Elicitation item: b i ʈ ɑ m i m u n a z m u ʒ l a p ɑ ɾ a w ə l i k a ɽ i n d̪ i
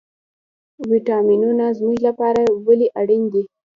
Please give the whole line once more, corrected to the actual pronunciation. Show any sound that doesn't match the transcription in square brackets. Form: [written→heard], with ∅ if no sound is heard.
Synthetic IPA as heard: [b→w] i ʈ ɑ m i [m→n] u n a z m u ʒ l a p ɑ ɾ a w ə l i [k→ʔ] a ɽ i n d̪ i